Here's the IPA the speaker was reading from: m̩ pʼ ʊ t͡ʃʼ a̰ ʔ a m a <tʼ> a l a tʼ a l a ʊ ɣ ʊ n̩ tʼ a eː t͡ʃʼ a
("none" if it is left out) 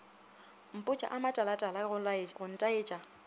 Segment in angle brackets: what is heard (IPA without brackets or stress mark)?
tʼ